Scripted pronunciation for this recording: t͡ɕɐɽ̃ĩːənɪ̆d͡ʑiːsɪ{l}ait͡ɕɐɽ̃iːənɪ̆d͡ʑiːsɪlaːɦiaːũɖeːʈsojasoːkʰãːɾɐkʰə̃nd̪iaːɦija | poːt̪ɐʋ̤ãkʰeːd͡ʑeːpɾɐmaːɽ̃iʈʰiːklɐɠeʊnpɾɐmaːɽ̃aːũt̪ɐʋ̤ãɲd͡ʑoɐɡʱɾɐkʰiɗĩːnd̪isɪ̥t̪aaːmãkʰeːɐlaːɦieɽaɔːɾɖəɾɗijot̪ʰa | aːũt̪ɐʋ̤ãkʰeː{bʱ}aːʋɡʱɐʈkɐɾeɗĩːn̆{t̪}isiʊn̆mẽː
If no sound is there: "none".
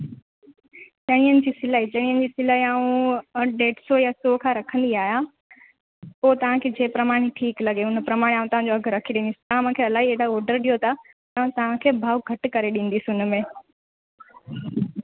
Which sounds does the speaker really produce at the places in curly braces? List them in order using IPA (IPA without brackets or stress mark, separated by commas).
l, bʱ, d̪